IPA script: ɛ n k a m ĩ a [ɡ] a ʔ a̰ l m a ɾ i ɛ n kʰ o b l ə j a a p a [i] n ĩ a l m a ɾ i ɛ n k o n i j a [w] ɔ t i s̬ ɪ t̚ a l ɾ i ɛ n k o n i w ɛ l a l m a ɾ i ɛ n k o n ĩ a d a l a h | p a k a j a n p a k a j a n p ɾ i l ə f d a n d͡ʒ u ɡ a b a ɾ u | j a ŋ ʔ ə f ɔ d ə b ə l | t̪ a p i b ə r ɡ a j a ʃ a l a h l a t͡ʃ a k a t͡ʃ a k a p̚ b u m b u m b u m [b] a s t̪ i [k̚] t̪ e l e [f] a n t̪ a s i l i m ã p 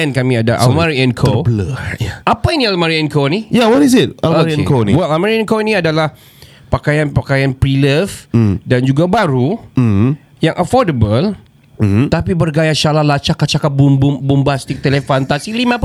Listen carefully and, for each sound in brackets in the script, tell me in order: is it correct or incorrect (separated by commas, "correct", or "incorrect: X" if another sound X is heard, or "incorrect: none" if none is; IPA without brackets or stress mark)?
incorrect: d, correct, correct, correct, correct, correct